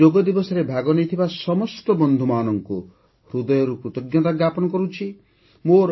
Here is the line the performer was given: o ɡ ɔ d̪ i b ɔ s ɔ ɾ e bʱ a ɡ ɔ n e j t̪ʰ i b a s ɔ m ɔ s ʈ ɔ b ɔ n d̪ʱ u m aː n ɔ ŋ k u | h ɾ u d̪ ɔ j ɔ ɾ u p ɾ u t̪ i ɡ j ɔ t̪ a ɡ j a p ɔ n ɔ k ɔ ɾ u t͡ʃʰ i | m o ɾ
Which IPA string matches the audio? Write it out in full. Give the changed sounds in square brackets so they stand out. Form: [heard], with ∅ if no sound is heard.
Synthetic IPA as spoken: o ɡ ɔ d̪ i b ɔ s ɔ ɾ e bʱ a ɡ ɔ n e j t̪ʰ i b a s ɔ m ɔ s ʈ ɔ b ɔ n d̪ʱ u m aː n ɔ ŋ k u | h ɾ u d̪ ɔ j ɔ ɾ u p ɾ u t̪ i ɡ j ɔ t̪ a ɡ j a p ɔ n ɔ k ɔ ɾ u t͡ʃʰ i | m o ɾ